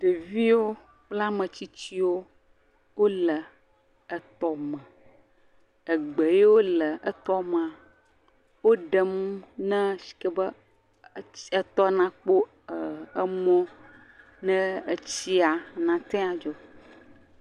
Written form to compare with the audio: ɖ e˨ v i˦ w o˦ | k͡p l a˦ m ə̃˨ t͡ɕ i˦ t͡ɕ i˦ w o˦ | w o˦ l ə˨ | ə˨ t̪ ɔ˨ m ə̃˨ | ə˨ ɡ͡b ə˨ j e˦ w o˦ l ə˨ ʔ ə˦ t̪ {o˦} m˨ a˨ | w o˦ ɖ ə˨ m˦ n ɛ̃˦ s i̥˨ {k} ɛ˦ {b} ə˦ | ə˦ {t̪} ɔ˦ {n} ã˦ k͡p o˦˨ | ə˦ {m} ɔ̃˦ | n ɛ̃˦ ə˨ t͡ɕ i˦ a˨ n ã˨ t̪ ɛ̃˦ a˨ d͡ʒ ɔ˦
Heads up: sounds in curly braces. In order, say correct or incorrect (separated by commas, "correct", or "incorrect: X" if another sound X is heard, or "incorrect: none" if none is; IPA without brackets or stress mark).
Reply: incorrect: ɔ˦, correct, correct, correct, correct, correct